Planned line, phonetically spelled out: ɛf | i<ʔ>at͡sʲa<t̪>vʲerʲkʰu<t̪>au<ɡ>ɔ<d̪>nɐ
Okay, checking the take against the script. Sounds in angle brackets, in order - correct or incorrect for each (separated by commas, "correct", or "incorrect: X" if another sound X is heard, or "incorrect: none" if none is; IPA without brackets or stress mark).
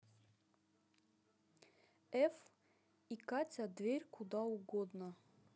incorrect: k, incorrect: d̪, incorrect: d̪, correct, correct